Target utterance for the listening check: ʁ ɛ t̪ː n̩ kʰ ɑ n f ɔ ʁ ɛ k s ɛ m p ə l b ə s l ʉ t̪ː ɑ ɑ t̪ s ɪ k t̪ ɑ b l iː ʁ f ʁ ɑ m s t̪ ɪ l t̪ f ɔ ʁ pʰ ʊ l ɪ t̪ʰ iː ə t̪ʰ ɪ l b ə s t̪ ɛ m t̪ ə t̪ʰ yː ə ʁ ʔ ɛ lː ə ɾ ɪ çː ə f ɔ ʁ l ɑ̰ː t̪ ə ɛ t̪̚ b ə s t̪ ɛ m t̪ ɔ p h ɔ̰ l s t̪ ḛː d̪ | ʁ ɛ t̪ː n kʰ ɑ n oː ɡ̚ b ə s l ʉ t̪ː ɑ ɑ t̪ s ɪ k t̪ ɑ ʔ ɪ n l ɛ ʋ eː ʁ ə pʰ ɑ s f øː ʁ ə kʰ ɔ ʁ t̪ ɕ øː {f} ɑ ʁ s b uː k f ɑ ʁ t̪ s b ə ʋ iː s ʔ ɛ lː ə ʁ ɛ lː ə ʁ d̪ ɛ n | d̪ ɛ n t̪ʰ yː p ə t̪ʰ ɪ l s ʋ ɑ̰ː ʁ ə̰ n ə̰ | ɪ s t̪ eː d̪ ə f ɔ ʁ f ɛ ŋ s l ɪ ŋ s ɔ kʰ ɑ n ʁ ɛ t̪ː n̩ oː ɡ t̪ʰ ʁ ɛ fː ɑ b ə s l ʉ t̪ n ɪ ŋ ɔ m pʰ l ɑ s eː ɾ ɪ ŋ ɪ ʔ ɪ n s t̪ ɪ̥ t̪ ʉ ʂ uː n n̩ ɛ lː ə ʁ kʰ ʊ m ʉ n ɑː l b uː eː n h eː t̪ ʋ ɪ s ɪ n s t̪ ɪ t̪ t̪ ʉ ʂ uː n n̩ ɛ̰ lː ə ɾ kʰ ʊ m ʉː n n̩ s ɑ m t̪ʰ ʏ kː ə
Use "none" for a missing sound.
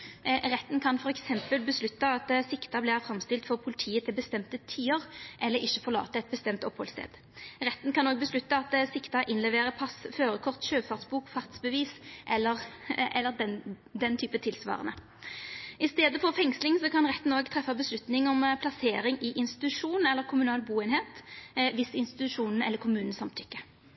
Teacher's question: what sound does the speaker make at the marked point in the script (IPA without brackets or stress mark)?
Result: f